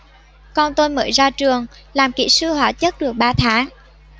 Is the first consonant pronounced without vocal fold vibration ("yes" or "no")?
yes